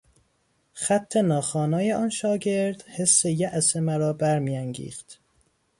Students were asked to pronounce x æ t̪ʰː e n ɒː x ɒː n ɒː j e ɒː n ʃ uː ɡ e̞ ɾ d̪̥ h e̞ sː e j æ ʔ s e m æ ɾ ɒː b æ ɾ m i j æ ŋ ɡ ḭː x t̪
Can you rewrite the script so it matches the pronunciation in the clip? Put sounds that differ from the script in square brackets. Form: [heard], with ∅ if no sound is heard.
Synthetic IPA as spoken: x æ t̪ʰː e n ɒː x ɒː n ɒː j e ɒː n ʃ [ɒː] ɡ e̞ ɾ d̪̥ h e̞ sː e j æ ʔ s e m æ ɾ ɒː b æ ɾ m i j æ ŋ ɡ ḭː x t̪